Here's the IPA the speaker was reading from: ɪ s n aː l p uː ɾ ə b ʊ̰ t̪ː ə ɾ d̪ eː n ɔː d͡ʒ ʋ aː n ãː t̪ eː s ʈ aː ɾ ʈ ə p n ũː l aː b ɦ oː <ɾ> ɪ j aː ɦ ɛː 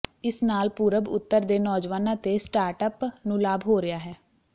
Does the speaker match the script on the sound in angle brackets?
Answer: yes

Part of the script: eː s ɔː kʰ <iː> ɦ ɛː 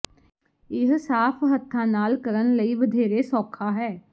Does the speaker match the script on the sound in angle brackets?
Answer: no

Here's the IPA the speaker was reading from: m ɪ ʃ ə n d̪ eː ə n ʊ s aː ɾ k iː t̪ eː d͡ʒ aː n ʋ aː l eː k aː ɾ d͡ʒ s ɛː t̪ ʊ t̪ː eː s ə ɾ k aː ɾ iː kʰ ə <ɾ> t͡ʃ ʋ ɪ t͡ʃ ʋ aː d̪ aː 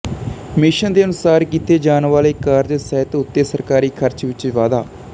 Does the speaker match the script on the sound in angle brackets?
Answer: yes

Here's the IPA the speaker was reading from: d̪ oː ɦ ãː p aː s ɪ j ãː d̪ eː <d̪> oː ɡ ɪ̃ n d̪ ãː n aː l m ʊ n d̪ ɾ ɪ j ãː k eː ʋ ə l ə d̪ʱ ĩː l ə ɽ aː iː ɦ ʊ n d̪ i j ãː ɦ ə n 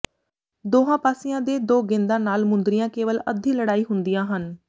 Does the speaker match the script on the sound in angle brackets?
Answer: yes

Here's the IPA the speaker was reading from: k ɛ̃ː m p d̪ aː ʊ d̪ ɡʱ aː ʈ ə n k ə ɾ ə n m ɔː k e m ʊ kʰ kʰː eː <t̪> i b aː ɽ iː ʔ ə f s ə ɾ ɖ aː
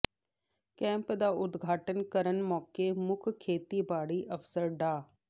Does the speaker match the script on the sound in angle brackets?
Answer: yes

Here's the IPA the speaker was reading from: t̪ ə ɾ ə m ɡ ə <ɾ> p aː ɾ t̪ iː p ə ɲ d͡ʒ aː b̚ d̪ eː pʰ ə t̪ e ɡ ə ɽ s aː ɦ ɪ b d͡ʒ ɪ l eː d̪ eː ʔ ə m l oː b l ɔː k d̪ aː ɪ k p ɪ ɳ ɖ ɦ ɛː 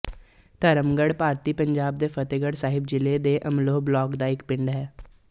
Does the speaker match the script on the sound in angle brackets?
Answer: no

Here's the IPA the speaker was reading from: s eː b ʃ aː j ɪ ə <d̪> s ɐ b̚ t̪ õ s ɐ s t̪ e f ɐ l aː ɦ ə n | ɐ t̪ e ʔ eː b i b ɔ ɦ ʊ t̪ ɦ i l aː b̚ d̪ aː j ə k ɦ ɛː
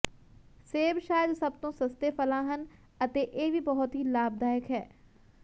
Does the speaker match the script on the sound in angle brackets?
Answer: yes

